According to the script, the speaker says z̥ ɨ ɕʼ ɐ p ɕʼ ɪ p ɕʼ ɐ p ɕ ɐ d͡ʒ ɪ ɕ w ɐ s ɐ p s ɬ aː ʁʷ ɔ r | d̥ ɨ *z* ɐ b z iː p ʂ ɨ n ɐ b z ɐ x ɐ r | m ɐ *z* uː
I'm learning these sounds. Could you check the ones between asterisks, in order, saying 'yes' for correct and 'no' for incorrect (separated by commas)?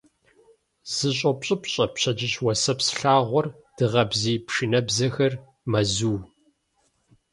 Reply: no, yes